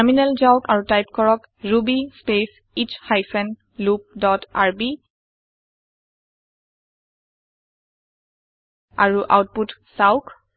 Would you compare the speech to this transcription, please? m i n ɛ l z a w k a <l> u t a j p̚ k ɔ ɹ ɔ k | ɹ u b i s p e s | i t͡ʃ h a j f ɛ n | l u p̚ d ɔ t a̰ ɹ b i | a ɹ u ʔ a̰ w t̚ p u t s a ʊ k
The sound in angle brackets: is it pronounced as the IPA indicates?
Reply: no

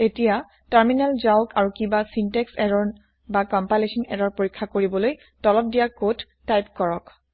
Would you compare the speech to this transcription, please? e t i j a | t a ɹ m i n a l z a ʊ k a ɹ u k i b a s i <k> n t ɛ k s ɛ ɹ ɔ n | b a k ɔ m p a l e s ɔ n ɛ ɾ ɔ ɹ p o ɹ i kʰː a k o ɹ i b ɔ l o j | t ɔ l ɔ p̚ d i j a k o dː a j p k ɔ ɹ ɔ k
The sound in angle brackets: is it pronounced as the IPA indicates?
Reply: no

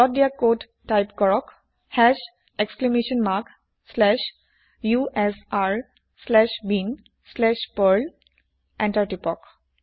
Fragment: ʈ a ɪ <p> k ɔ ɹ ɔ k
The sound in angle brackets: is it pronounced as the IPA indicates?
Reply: yes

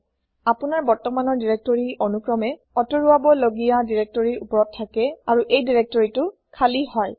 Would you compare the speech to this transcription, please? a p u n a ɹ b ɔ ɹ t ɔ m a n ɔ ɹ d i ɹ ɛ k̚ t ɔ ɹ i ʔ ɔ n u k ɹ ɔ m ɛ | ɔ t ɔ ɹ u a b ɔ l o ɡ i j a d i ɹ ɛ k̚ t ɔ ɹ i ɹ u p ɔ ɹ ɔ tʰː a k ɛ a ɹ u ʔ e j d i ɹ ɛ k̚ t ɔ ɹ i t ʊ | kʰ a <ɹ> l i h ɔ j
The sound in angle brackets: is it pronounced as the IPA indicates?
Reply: no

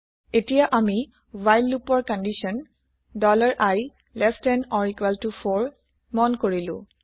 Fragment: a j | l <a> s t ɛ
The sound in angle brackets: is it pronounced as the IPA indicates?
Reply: no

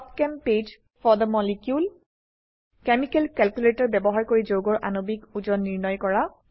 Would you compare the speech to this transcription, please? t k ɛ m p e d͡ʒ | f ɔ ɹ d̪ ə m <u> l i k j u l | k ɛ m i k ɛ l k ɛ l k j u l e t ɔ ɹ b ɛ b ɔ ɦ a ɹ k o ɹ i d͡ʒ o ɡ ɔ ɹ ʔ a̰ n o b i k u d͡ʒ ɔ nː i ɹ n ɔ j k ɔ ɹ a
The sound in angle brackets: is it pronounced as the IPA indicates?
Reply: no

